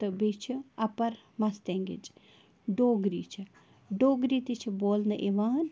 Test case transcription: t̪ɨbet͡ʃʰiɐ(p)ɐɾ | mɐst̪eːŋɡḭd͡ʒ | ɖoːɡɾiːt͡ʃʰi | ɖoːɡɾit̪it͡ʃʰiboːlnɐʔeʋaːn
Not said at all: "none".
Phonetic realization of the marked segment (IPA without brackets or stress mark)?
p